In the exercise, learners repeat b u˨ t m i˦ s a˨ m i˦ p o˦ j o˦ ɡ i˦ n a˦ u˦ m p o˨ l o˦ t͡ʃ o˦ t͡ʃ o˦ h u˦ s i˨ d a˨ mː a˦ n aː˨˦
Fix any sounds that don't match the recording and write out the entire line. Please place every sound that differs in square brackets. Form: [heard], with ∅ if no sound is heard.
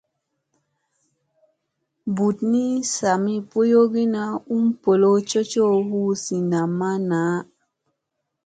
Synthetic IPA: b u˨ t [n] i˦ s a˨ m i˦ p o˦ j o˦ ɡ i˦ n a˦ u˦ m p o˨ l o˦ t͡ʃ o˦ t͡ʃ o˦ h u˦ s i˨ [n] a˨ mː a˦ n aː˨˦